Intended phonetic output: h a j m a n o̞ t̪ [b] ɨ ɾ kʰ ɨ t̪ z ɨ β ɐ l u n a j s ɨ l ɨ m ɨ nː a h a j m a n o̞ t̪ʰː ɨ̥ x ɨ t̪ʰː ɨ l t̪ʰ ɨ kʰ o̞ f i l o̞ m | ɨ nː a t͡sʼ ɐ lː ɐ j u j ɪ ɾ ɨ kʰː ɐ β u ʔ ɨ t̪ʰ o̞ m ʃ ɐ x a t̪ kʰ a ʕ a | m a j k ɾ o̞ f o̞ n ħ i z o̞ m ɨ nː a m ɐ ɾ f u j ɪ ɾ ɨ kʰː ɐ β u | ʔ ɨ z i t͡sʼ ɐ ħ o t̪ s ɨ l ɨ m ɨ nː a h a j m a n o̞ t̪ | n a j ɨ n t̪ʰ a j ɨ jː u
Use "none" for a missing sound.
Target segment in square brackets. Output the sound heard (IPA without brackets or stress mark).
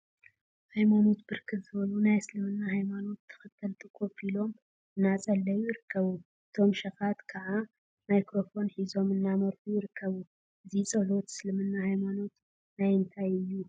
b